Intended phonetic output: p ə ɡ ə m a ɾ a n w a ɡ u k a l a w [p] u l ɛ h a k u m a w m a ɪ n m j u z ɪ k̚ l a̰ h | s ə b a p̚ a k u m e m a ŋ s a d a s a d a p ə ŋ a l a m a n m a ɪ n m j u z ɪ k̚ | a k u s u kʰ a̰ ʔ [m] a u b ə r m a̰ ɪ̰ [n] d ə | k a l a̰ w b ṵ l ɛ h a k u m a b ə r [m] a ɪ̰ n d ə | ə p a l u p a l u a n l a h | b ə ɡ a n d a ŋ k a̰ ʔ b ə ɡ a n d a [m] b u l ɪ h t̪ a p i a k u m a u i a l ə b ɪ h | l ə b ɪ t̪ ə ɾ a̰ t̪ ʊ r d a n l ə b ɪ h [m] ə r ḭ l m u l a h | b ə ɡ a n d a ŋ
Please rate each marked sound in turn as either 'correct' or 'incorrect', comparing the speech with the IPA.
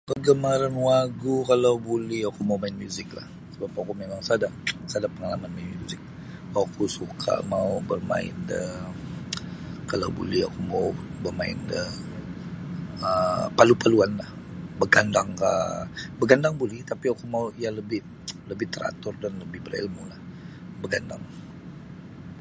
incorrect, correct, correct, correct, incorrect, incorrect

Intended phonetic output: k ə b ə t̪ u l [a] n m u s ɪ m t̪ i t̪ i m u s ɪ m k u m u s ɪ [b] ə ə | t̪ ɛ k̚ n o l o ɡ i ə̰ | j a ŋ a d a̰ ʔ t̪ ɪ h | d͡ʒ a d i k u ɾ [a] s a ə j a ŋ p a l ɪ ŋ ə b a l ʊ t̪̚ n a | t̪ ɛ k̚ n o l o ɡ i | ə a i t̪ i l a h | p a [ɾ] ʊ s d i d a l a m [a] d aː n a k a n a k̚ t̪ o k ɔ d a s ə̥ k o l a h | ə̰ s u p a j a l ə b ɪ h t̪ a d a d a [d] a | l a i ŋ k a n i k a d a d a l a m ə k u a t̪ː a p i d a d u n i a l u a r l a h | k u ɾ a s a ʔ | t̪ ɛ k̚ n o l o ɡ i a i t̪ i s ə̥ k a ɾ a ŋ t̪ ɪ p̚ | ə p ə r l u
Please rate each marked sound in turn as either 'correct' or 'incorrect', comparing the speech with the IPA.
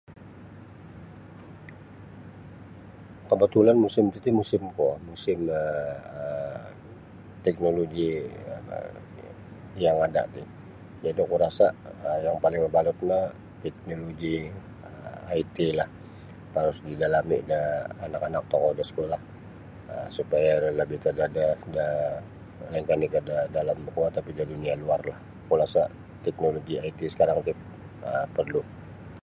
correct, incorrect, correct, correct, incorrect, correct

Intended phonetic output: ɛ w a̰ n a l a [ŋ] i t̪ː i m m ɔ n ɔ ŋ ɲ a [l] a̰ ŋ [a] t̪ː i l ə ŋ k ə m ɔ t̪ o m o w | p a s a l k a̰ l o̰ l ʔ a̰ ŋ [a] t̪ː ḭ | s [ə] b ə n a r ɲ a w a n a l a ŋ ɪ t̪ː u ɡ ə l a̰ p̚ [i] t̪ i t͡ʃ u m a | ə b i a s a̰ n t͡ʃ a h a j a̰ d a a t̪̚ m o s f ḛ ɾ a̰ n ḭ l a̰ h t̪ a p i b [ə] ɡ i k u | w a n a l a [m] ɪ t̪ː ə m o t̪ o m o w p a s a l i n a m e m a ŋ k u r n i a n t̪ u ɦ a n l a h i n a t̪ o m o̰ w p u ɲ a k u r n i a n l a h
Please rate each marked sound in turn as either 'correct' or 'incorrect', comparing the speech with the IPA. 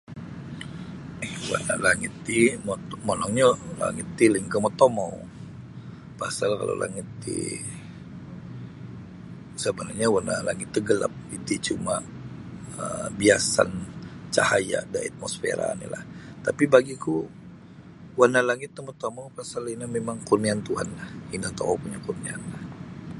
correct, correct, incorrect, incorrect, correct, correct, incorrect, incorrect

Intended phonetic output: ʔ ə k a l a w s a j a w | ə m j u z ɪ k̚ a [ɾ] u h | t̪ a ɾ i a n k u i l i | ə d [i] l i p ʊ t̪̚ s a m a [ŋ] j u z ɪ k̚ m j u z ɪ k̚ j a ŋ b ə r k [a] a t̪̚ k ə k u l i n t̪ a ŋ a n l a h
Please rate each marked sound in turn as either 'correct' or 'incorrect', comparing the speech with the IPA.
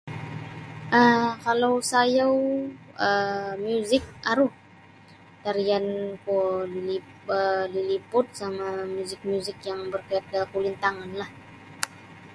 correct, correct, incorrect, correct

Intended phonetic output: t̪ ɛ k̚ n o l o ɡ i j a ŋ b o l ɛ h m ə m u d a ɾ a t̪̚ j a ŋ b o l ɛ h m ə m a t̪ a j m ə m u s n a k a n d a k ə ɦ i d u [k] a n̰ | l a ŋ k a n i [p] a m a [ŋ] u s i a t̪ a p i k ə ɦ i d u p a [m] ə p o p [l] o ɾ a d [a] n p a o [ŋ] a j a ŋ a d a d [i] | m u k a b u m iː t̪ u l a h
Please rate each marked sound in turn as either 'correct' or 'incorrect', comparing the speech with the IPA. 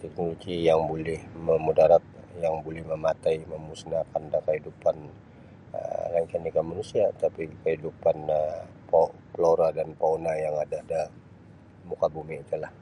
incorrect, incorrect, incorrect, incorrect, correct, correct, incorrect, incorrect

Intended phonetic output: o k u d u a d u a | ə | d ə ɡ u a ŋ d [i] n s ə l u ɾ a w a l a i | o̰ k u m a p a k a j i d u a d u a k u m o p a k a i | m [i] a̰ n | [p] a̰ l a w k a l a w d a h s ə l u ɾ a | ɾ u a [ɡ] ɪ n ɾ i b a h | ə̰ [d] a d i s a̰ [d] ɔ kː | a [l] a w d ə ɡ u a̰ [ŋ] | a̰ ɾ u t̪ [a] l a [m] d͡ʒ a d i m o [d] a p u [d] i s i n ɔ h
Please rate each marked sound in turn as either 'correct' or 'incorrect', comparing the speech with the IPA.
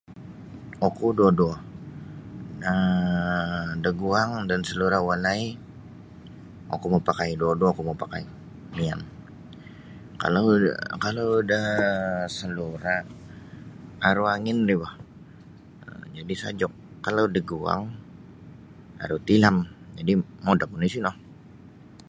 incorrect, correct, incorrect, incorrect, incorrect, incorrect, correct, correct, incorrect, correct, correct, incorrect

